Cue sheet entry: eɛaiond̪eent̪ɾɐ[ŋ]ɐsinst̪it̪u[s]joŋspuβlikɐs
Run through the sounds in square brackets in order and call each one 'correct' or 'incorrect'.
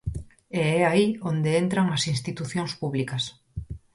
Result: correct, incorrect

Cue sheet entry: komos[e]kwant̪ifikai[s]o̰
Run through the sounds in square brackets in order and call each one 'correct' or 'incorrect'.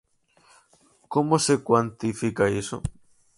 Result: correct, correct

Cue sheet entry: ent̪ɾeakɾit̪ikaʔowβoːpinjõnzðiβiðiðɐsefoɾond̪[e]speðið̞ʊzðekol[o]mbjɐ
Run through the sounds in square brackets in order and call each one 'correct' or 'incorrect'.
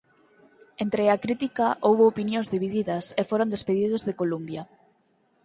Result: correct, incorrect

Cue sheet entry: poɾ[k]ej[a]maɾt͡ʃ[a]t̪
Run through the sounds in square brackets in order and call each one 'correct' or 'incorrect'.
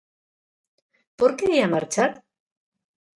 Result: correct, correct, correct

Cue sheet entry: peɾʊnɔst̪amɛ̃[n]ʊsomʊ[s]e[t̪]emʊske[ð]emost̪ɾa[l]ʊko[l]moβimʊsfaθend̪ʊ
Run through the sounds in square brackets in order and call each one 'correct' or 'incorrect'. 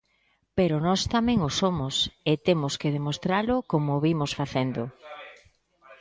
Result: incorrect, correct, correct, correct, correct, incorrect

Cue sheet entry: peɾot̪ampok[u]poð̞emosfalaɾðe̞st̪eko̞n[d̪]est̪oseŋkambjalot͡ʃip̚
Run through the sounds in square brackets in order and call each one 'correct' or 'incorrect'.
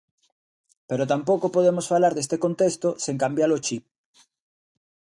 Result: incorrect, incorrect

